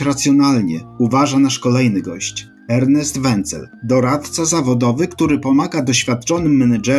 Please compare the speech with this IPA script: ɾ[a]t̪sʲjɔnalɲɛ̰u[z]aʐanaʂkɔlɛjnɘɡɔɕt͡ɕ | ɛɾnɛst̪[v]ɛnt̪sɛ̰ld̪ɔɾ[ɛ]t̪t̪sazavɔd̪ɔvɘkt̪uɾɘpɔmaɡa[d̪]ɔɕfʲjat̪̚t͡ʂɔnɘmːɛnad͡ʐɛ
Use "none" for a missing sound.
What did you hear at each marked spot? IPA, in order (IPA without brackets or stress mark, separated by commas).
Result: a, v, v, a, d̪